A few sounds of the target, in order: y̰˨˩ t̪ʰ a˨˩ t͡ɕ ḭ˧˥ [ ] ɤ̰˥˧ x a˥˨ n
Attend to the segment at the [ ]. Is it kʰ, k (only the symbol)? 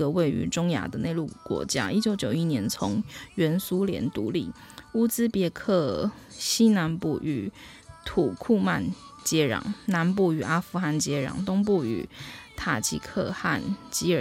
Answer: kʰ